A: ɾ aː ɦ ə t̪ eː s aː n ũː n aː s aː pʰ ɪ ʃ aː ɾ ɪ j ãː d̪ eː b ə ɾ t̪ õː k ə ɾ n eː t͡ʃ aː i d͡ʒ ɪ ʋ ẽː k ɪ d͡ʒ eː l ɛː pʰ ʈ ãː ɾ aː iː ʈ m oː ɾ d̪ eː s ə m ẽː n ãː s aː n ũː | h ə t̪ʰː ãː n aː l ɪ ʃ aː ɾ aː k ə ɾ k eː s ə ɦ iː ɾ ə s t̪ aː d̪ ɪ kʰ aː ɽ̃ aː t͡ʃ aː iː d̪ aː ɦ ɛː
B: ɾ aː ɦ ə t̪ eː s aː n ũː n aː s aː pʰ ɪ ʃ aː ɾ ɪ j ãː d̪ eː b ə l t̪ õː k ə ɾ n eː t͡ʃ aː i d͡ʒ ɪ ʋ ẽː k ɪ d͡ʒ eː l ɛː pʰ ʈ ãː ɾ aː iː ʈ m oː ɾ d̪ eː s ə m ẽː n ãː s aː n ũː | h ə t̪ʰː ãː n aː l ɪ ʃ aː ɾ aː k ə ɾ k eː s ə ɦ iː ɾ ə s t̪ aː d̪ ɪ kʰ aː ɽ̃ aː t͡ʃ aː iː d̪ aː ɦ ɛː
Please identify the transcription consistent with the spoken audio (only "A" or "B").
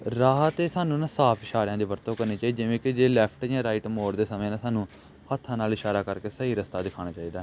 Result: A